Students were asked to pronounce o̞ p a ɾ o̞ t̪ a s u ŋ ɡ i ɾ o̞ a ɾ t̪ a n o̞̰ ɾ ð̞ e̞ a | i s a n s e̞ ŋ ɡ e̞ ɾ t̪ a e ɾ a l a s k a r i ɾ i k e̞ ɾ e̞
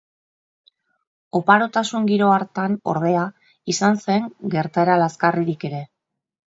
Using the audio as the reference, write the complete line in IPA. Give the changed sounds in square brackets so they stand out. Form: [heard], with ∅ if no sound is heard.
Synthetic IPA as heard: o̞ p a ɾ o̞ t̪ a s u ŋ ɡ i ɾ o̞ a ɾ t̪ a n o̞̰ ɾ ð̞ e̞ a | i s a n s e̞ ŋ ɡ e̞ ɾ t̪ a e ɾ a l a s k a r i ɾ i k e̞ ɾ e̞